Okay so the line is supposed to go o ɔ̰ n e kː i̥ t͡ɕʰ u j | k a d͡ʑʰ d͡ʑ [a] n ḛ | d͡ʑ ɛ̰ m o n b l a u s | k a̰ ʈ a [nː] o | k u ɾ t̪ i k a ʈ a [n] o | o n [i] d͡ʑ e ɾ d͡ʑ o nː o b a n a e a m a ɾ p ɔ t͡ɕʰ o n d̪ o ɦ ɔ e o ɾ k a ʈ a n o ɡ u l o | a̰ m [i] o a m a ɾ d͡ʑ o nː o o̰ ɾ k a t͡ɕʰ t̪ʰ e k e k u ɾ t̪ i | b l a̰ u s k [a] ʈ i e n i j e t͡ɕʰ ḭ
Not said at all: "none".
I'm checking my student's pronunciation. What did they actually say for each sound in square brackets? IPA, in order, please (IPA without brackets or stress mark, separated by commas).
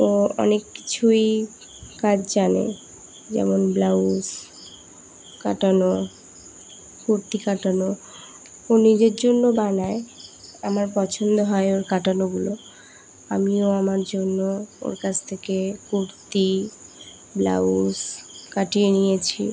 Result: a, n, n, i, i, a